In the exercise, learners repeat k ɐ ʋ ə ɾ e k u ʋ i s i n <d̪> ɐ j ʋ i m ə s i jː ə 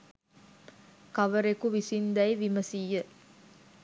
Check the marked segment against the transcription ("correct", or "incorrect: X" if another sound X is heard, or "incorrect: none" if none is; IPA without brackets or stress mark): correct